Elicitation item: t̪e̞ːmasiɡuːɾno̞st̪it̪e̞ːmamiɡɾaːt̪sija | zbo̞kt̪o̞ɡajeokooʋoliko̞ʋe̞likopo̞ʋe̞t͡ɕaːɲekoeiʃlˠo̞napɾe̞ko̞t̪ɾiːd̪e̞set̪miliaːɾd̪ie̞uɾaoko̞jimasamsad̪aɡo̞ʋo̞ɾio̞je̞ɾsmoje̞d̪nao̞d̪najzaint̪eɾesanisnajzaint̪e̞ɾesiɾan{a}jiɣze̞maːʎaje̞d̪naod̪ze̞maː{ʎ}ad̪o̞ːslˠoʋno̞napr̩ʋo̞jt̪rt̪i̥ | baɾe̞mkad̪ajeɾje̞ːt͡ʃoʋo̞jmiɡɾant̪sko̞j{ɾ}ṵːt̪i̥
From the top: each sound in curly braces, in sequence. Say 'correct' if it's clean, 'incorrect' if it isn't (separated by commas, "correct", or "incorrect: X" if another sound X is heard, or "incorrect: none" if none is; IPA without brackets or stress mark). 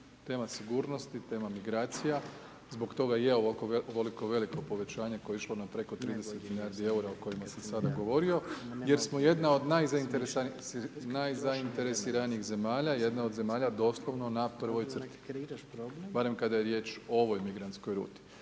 incorrect: i, correct, correct